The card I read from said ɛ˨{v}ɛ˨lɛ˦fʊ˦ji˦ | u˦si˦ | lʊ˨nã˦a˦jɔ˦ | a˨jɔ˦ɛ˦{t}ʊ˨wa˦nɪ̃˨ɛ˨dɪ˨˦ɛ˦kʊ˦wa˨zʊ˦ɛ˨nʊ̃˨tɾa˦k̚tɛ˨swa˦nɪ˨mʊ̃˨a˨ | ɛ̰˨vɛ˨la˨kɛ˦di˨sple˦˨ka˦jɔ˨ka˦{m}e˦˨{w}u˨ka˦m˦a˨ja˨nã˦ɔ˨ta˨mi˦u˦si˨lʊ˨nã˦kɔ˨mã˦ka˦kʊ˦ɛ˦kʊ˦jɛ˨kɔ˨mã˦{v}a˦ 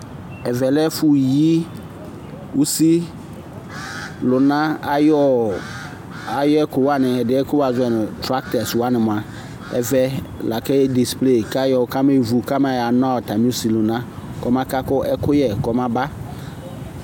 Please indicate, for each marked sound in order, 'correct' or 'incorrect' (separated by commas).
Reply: correct, incorrect, correct, incorrect, incorrect